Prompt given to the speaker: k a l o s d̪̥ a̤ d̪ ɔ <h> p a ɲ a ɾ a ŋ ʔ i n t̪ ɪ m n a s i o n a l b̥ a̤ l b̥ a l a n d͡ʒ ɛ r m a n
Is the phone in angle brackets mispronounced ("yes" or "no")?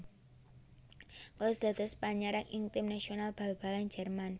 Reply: yes